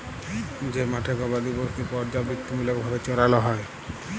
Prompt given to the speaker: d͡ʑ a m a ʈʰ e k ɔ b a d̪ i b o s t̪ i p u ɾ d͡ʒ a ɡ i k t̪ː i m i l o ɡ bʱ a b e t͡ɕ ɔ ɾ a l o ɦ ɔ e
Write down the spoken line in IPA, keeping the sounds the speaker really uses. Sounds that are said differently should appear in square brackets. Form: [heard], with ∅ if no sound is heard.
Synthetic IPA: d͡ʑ [e] m a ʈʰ e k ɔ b a d̪ i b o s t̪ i p [ɔ] ɾ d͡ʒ a [b] i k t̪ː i m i l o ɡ bʱ a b e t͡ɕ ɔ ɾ a l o ɦ ɔ e